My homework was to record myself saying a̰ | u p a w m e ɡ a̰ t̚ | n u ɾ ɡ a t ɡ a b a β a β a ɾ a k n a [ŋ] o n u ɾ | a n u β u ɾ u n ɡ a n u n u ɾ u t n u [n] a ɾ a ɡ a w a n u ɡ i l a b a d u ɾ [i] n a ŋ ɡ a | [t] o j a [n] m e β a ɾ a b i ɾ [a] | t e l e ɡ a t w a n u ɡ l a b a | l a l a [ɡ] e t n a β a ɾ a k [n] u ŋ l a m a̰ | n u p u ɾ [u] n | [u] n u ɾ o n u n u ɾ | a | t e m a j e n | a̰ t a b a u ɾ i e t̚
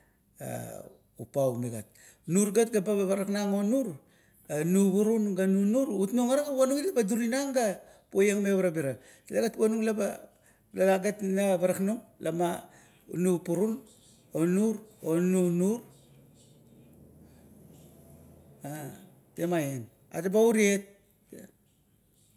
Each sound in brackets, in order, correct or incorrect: correct, incorrect: ŋ, correct, incorrect: p, incorrect: ŋ, correct, correct, correct, correct, incorrect: o

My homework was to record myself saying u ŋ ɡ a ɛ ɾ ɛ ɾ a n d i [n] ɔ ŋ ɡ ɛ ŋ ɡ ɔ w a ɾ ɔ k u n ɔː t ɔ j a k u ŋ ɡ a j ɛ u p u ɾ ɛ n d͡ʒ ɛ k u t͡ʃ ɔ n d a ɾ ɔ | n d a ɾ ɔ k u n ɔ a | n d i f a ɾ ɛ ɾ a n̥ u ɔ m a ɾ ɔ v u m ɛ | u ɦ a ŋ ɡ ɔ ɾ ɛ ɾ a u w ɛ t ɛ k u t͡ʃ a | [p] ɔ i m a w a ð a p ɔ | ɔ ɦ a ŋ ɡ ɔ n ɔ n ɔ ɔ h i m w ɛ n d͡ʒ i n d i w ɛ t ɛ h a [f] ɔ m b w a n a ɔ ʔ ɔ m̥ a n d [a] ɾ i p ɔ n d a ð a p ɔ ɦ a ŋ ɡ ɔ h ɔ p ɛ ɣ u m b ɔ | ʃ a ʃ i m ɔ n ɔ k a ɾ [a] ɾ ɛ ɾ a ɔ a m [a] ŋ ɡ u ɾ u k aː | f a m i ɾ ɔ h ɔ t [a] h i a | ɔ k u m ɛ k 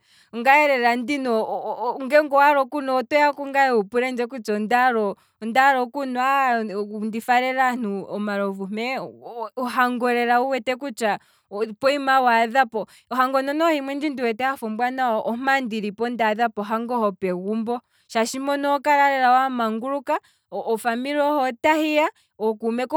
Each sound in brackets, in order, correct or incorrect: correct, correct, correct, incorrect: i, correct, correct, correct

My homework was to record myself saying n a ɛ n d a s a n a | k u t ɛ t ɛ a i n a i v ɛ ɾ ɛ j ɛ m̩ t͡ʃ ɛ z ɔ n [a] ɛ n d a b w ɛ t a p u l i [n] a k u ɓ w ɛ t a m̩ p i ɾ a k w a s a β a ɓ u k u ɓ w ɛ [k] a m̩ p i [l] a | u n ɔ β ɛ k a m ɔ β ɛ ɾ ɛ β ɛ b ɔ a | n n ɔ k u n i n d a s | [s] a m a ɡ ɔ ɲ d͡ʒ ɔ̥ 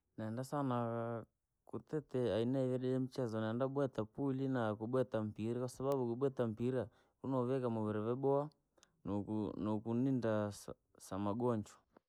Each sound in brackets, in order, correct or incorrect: correct, correct, incorrect: t, incorrect: ɾ, correct

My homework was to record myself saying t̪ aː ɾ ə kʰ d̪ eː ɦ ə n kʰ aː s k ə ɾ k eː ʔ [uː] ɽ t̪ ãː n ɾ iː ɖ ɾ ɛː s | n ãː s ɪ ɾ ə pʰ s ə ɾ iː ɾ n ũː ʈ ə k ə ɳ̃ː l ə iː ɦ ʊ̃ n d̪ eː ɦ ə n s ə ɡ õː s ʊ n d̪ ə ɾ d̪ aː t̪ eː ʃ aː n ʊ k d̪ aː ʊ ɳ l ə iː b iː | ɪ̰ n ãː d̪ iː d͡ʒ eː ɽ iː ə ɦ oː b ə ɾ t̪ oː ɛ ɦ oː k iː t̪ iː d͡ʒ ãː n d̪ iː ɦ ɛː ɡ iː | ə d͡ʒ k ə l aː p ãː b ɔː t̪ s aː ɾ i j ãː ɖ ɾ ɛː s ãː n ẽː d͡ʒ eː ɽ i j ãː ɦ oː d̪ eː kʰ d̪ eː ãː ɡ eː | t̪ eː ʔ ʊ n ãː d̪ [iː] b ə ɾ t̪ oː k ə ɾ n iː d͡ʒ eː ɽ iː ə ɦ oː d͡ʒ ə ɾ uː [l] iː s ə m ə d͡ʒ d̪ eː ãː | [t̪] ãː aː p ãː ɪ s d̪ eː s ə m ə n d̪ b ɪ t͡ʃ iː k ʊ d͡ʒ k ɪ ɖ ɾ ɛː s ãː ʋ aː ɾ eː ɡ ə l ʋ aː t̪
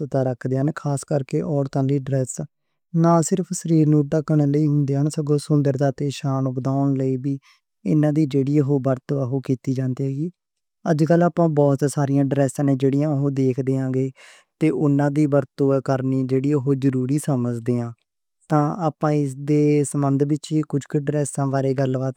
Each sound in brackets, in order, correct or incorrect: incorrect: ɔː, correct, incorrect: ɾ, correct

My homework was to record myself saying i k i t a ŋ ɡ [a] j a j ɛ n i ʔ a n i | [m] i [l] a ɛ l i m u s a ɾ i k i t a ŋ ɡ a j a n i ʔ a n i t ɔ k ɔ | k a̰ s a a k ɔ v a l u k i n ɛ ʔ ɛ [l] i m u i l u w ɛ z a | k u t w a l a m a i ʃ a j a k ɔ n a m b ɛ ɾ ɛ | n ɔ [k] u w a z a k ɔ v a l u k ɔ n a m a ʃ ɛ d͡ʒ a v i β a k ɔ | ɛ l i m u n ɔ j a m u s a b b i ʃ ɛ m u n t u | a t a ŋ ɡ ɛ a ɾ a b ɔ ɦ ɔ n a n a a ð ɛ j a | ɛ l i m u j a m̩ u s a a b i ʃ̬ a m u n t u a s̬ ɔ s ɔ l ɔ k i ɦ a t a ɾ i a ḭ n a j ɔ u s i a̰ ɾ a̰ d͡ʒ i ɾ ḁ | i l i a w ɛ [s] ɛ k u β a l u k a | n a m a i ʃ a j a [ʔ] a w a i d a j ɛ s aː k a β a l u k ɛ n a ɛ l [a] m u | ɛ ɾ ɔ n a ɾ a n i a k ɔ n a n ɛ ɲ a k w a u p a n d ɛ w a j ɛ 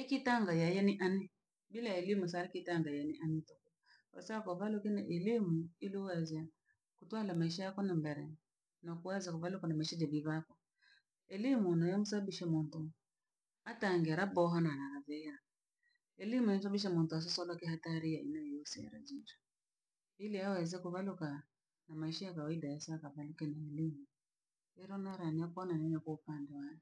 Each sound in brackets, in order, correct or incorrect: correct, incorrect: b, correct, correct, correct, incorrect: z, incorrect: k, incorrect: i

